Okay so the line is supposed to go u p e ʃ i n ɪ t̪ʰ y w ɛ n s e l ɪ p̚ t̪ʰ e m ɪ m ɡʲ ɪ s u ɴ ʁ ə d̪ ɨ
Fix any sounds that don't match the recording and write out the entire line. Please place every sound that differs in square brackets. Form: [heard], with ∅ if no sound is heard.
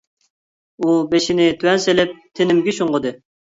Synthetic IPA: u [b] e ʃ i n ɪ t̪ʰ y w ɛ n s e l ɪ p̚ t̪ʰ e [n] ɪ m ɡʲ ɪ [ʃ] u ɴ ʁ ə d̪ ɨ